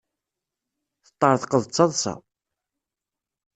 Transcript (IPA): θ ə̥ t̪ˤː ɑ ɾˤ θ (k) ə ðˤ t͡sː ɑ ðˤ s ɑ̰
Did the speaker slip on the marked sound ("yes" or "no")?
yes